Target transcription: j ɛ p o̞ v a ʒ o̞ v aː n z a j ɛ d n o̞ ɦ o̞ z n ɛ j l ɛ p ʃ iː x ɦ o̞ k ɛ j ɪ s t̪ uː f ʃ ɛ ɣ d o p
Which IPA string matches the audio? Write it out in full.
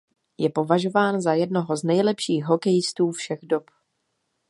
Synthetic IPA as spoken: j ɛ p o̞ v a ʒ o̞ v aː n z a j ɛ d n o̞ ɦ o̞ z n ɛ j l ɛ p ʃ iː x ɦ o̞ k ɛ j ɪ s t̪ uː f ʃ ɛ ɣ d o p